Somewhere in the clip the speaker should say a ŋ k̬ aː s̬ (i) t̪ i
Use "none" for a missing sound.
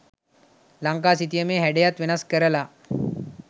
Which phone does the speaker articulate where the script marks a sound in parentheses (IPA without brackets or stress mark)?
i